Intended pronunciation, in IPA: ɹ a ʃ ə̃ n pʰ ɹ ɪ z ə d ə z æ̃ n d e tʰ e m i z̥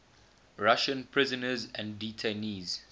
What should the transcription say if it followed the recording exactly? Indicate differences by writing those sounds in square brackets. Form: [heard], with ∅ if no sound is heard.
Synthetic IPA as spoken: ɹ a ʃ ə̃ n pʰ ɹ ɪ z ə [n] ə z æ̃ n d [i] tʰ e [n] i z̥